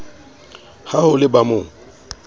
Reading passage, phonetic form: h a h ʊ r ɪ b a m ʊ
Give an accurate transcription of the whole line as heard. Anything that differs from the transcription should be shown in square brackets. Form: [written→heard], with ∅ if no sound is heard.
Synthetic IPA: h a h ʊ [r→l] ɪ b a m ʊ

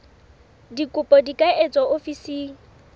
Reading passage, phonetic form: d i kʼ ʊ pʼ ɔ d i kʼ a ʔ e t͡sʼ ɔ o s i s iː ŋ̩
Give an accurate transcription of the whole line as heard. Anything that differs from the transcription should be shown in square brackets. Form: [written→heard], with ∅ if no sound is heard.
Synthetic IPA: d i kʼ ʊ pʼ ɔ d i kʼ a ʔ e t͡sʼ ɔ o [s→f] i s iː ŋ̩

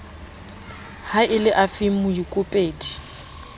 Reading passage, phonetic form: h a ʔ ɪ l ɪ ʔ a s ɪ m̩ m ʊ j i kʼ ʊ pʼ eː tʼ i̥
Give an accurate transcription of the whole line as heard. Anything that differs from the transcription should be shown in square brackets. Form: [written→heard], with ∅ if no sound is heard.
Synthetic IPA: h a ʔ ɪ l ɪ ʔ a [s→f] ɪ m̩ m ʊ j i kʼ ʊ pʼ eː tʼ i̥

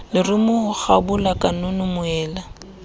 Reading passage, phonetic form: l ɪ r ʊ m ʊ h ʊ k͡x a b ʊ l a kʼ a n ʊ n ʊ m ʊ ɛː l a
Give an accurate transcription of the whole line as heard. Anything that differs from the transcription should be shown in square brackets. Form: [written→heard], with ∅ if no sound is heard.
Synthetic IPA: l ɪ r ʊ m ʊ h ʊ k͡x a b ʊ l a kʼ a n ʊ n ʊ m ʊ ɛː l a

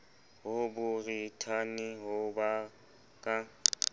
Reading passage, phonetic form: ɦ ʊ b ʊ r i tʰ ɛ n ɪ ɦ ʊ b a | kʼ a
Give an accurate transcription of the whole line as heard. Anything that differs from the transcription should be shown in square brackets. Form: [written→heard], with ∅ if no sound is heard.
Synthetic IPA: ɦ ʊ b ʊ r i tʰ [ɛ→a] n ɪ ɦ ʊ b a | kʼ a

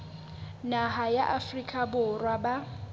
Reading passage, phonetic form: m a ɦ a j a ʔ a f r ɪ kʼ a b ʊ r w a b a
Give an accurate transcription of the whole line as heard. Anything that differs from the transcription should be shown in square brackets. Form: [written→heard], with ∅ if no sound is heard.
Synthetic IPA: [m→n] a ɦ a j a ʔ a f r [ɪ→i] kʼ a b ʊ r w a b a

